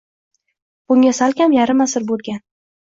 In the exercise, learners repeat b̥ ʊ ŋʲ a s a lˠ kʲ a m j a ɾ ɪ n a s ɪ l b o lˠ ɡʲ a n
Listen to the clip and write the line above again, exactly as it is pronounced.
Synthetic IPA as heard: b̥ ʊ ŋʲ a s a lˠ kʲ a m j a ɾ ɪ m a s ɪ ɾ b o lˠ ɡʲ a n